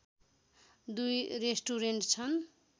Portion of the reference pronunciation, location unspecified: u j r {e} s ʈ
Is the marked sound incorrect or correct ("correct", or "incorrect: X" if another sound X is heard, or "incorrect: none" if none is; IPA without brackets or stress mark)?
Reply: correct